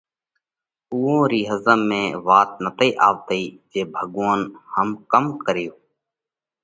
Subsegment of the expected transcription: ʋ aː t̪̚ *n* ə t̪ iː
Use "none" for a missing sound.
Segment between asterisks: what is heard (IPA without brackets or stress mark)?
n